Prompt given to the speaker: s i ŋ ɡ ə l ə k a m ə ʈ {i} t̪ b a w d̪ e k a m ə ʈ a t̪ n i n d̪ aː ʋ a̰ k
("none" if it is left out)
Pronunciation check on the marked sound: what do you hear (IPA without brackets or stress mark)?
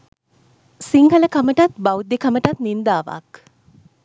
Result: a